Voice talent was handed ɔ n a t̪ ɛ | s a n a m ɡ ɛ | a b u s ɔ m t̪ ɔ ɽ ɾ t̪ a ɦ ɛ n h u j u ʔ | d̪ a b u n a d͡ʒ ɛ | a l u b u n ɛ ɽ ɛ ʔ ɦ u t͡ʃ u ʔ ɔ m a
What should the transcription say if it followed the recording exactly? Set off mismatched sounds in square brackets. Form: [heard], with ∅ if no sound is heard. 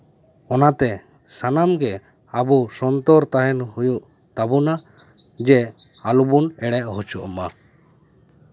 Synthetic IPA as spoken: ɔ n a t̪ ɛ | s a n a m ɡ ɛ | a b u s ɔ [n] t̪ ɔ [∅] ɾ t̪ a ɦ ɛ n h u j u ʔ | [t̪] a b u n a d͡ʒ ɛ | a l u b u n ɛ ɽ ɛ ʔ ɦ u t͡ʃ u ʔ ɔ m a